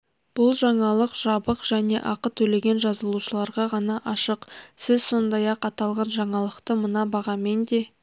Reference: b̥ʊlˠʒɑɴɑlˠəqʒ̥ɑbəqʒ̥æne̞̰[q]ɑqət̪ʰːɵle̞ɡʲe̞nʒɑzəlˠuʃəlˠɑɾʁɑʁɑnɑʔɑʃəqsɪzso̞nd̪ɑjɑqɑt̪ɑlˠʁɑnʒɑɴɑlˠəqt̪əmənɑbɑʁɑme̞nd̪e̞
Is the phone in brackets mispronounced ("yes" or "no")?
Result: yes